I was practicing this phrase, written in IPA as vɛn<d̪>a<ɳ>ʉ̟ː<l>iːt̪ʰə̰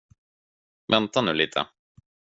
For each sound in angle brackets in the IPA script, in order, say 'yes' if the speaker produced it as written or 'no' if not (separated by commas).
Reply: no, no, yes